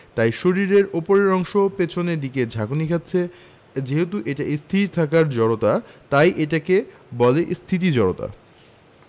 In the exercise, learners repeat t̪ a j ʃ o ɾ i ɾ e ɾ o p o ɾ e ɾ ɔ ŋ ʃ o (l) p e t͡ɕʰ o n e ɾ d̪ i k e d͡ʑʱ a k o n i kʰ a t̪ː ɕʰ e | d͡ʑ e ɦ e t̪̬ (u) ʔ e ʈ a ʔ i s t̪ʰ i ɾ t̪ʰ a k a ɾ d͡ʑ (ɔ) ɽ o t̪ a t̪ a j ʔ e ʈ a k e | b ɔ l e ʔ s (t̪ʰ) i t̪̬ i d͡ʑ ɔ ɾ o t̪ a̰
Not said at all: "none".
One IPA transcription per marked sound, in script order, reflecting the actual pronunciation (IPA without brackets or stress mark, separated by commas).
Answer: none, u, ɔ, t̪ʰ